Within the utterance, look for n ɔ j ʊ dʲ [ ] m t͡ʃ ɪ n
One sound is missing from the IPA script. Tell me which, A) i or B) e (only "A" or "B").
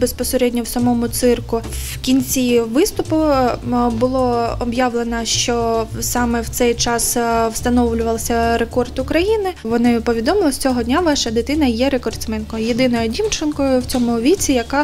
A